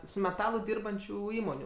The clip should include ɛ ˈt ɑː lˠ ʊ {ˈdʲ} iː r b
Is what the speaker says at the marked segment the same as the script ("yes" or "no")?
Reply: yes